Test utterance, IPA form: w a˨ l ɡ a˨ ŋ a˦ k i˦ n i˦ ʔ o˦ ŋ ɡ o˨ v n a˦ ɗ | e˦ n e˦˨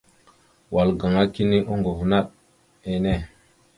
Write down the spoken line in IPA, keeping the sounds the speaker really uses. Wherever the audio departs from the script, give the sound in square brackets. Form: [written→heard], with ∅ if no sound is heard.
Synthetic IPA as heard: w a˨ l ɡ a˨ ŋ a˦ k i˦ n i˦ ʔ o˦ ŋ ɡ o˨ v n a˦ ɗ | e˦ n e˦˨